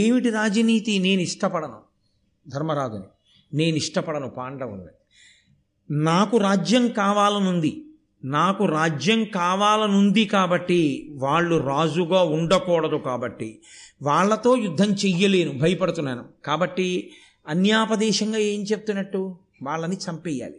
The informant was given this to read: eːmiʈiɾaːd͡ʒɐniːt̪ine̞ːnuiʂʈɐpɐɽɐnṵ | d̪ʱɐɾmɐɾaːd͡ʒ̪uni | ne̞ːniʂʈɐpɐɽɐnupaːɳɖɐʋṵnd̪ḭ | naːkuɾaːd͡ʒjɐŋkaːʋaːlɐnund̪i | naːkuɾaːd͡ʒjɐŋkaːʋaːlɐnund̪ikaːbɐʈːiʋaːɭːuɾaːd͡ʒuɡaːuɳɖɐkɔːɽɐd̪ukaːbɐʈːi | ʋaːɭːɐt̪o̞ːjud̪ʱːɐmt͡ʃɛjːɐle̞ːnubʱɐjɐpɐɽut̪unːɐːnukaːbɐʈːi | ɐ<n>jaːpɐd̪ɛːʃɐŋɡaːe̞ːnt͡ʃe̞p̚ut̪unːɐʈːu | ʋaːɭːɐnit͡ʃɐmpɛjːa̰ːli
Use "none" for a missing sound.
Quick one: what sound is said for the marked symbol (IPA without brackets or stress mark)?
n